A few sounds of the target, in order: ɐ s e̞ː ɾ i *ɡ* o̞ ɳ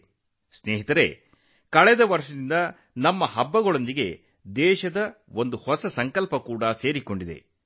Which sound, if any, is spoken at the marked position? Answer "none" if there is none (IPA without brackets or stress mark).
k